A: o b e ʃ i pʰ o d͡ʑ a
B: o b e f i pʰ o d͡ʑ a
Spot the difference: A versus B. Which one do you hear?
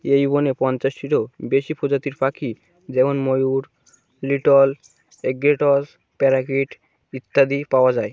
A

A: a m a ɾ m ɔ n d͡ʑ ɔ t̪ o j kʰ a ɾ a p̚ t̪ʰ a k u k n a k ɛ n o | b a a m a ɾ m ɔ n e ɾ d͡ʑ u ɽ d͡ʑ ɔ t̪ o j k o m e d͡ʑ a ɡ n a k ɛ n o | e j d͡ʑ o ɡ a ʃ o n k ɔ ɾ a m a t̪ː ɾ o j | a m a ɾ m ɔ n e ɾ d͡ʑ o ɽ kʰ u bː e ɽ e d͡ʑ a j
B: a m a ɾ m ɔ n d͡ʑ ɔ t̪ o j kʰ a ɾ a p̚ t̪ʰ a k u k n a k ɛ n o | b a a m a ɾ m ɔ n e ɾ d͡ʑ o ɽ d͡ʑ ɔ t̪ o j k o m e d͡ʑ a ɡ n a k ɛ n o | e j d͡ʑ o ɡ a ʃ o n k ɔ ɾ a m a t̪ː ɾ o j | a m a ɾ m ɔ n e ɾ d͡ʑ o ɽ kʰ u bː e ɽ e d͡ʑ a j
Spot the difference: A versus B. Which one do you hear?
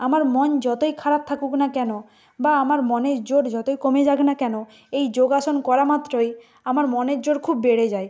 B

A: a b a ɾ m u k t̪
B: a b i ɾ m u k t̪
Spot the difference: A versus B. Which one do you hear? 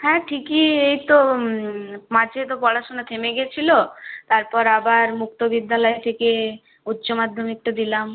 A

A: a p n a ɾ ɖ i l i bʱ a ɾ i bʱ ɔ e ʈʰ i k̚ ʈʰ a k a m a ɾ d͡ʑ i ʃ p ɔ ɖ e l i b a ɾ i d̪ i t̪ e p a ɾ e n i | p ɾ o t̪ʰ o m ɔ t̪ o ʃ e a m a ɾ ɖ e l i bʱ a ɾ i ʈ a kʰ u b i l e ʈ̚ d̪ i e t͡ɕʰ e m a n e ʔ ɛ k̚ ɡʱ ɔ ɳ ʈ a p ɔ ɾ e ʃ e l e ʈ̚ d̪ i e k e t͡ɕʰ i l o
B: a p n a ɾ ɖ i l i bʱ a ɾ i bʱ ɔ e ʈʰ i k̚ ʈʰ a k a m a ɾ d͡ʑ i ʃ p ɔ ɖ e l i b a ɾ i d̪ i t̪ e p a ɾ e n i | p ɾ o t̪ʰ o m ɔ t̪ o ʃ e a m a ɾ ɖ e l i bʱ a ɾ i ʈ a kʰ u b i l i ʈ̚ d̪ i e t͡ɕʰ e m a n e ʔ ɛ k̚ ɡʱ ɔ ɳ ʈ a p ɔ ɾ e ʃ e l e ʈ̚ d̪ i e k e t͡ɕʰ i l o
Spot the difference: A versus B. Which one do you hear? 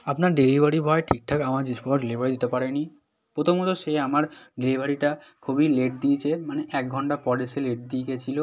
A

